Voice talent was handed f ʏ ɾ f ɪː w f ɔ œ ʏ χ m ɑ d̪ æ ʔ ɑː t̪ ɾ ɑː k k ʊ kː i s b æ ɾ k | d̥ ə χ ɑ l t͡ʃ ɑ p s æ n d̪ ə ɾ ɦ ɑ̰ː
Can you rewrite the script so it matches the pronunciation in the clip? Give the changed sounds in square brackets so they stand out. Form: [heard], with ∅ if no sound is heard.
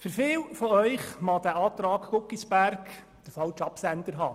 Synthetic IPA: f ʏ ɾ f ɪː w f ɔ œ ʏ χ m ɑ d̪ æ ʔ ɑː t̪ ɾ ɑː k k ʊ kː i s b æ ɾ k | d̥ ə [f] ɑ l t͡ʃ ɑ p s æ n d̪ ə ɾ ɦ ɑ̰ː